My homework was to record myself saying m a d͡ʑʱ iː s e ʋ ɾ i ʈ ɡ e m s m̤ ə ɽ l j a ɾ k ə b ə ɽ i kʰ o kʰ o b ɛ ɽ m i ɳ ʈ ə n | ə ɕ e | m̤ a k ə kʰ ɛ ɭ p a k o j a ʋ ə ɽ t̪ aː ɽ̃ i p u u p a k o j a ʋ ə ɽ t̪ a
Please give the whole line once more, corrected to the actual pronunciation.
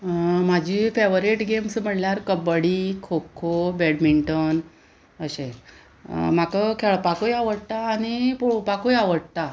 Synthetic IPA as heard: m a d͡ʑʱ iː f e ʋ ɾ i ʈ ɡ e m s m̤ ə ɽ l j a ɾ k ə b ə ɽ i kʰ o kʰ o b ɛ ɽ m i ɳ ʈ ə n | ə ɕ e | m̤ a k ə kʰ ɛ ɭ p a k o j a ʋ ə ɽ t̪ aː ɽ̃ i p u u p a k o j a ʋ ə ɽ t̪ a